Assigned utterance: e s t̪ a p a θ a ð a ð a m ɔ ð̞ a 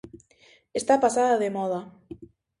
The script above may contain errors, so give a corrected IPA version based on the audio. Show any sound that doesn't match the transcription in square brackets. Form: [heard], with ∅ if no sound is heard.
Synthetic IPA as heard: e s t̪ a p a [s] a ð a ð [e] m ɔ ð̞ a